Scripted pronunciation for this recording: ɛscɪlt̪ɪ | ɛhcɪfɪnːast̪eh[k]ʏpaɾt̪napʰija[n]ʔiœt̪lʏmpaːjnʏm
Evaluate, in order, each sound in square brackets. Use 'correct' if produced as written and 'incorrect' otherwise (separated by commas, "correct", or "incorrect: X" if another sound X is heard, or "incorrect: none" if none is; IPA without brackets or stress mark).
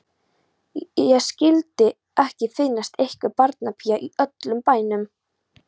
correct, incorrect: none